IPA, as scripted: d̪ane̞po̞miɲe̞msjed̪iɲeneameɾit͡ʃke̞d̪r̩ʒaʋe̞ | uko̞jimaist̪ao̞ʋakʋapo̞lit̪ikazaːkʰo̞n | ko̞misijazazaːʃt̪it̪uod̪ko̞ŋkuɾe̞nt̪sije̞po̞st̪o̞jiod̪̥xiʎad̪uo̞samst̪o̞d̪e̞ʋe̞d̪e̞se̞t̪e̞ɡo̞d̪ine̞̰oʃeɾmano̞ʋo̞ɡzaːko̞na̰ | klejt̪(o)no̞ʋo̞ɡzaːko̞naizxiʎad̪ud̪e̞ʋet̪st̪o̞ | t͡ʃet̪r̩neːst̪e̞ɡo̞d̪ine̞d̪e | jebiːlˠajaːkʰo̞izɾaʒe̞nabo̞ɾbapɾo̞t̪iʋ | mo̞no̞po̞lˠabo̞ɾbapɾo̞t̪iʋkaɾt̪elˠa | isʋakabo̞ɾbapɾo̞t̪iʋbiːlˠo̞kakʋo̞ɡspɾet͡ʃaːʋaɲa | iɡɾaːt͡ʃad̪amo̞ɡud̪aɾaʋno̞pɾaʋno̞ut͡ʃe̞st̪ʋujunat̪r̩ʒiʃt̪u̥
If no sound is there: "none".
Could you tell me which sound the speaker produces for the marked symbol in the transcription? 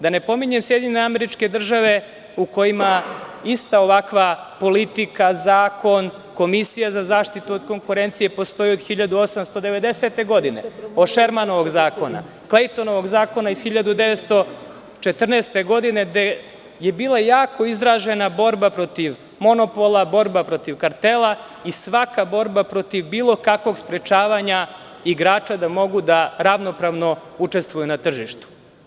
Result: o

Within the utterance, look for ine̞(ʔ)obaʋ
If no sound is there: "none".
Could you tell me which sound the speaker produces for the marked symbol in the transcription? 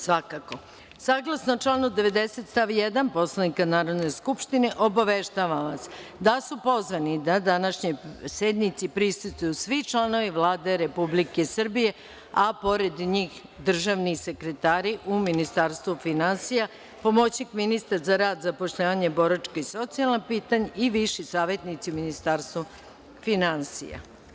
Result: ʔ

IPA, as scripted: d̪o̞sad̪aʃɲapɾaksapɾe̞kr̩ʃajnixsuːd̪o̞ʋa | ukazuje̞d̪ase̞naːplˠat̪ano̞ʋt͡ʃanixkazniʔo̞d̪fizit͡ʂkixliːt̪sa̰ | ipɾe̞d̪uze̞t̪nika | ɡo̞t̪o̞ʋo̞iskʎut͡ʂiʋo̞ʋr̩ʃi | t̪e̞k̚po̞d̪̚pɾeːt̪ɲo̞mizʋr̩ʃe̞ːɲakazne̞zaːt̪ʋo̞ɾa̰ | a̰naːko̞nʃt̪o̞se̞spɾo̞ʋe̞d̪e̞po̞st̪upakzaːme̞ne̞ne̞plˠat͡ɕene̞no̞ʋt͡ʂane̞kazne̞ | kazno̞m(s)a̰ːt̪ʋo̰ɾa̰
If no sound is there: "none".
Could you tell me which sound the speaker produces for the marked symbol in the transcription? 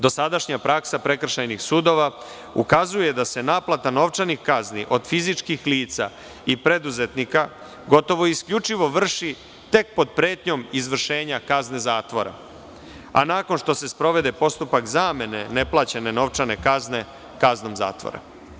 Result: z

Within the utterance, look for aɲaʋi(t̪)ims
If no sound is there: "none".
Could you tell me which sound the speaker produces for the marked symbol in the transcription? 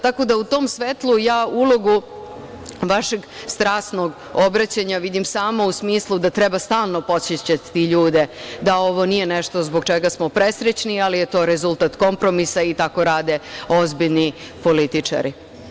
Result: d̪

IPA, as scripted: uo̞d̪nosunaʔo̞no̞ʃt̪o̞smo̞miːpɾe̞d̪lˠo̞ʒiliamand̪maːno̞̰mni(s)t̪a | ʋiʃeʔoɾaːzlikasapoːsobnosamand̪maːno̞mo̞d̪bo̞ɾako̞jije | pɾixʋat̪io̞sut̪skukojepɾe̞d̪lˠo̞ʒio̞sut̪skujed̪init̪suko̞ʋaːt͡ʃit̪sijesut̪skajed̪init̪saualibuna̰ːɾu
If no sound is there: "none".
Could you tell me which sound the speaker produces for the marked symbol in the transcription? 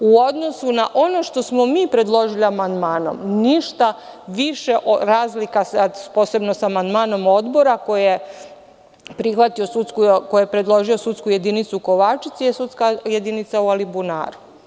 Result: ʃ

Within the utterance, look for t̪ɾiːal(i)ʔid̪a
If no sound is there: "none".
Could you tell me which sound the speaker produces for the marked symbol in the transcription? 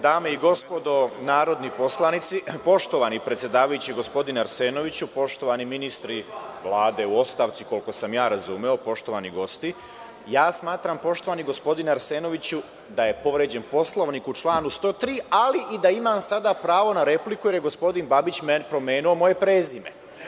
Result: i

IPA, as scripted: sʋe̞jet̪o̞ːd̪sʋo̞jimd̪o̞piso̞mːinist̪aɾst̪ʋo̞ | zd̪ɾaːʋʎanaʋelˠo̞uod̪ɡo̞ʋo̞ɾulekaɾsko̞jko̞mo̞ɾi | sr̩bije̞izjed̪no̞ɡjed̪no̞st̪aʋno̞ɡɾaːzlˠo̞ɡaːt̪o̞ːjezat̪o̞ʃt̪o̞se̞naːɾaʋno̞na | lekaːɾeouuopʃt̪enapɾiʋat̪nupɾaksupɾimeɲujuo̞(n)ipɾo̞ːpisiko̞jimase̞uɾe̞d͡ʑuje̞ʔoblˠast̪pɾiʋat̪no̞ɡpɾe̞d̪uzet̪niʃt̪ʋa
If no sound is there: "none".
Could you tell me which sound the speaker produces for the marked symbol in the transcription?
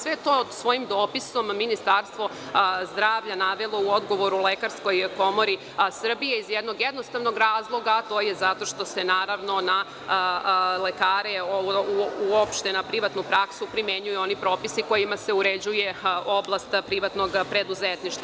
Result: n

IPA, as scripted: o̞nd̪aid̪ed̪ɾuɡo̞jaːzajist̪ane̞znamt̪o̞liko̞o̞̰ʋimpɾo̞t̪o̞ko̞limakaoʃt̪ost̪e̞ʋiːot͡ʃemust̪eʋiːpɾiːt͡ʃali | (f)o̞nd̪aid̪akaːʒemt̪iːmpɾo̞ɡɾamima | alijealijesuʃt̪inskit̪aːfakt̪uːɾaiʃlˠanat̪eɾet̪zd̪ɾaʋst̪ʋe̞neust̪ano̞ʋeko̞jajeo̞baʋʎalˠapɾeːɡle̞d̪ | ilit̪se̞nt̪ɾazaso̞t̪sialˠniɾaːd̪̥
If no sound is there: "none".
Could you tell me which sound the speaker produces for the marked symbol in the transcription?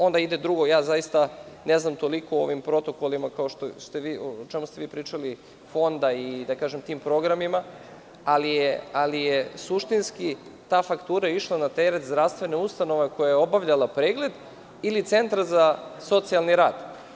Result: f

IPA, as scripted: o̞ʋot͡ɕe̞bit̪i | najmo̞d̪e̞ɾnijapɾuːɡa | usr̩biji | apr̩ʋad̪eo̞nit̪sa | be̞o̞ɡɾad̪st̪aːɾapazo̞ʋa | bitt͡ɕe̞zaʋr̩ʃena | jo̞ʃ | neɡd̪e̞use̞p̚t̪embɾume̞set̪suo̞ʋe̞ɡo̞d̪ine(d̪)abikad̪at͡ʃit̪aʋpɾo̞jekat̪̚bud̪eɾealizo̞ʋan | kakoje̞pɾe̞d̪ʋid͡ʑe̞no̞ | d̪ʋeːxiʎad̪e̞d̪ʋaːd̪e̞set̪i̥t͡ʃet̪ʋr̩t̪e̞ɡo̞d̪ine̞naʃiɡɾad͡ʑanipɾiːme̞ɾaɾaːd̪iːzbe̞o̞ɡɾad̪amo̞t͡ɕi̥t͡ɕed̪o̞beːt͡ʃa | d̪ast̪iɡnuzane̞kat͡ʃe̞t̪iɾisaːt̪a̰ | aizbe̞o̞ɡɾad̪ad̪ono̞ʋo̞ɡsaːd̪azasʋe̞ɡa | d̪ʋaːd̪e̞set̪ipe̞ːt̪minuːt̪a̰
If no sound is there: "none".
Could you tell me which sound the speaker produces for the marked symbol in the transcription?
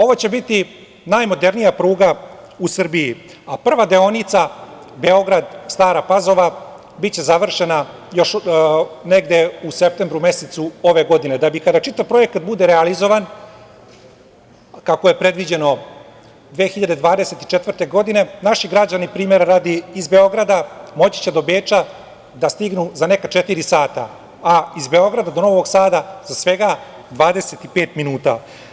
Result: d̪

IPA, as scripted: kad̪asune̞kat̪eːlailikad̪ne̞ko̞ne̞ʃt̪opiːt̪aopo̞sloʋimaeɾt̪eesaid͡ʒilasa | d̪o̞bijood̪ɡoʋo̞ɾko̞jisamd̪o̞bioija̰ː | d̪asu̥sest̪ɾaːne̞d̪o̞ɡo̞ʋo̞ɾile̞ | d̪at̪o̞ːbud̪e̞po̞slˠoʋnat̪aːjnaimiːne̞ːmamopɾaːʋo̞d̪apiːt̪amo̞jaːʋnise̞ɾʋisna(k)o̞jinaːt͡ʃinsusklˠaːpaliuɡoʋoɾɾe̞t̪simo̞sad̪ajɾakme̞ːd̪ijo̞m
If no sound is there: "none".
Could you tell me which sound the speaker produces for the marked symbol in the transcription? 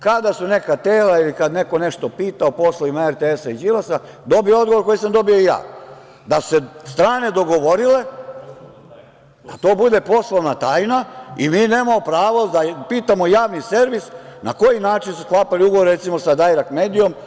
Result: k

